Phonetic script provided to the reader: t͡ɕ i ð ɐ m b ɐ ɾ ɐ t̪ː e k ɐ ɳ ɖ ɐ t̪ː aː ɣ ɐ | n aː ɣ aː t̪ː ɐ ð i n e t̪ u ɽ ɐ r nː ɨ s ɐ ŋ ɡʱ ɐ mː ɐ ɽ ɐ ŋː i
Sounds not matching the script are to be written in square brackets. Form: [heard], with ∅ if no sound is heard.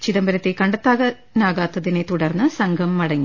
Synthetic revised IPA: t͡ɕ i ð ɐ m b ɐ ɾ ɐ t̪ː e k ɐ ɳ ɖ ɐ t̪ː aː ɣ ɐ | n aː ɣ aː t̪ː ɐ ð i n e t̪ u ɽ ɐ r nː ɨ s ɐ ŋ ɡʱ ɐ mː ɐ ɽ ɐ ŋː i